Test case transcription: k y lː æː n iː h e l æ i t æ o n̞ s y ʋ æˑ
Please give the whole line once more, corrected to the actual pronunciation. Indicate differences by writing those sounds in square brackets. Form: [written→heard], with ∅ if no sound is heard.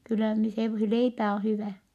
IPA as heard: k y lː [æː→æ] n [iː→i] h e l [æ→e] i [t→p] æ o n̞ [s→h] y ʋ æˑ